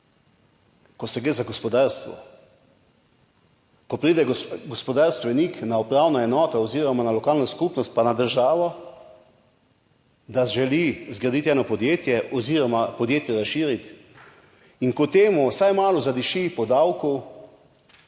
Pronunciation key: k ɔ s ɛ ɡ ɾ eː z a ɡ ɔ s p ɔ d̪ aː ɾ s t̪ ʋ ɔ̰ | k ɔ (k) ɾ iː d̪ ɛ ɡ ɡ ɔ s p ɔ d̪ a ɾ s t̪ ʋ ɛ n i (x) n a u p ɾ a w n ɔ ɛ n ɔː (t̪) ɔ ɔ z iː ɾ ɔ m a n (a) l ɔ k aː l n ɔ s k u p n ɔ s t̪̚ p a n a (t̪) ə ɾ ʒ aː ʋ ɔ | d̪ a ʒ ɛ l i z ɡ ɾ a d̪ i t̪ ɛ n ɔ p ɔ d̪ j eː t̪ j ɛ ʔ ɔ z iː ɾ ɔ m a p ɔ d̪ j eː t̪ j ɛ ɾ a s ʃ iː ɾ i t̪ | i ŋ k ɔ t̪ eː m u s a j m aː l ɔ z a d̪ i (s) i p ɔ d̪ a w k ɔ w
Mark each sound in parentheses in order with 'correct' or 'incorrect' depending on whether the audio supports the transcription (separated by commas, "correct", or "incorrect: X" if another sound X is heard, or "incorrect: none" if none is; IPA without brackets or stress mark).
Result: incorrect: p, incorrect: k, correct, correct, incorrect: d̪, incorrect: ʃ